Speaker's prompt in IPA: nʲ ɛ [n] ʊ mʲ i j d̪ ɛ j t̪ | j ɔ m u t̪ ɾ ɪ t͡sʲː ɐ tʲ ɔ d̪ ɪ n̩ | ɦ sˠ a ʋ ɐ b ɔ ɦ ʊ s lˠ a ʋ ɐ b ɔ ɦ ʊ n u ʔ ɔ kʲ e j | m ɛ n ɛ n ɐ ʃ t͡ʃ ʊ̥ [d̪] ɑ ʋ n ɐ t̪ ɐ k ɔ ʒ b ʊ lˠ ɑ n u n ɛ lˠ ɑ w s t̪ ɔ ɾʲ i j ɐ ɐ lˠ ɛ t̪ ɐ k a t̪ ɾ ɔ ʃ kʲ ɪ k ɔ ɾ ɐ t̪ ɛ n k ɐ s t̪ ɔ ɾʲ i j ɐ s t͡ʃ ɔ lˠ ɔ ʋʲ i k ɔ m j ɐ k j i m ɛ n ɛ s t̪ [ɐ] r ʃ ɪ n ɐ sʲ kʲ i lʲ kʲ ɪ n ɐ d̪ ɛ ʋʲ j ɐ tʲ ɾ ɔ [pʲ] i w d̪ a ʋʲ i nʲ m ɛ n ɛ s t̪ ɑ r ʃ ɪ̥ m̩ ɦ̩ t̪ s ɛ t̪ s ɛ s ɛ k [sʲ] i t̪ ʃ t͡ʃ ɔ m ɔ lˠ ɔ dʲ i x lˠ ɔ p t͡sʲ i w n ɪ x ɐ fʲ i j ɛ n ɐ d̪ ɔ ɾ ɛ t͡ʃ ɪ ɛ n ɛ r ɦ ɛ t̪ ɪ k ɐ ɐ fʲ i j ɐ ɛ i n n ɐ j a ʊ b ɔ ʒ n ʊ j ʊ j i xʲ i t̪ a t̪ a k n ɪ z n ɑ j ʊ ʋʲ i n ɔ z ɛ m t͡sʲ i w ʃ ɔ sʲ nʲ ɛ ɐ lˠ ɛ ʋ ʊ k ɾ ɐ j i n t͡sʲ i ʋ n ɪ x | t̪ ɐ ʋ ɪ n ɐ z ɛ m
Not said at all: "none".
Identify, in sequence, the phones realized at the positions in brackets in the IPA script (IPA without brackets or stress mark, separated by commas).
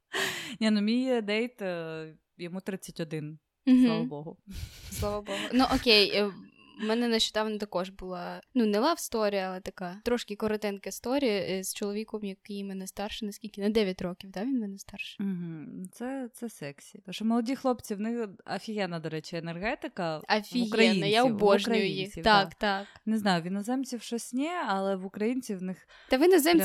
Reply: n, d̪, ɑ, kʲ, sʲ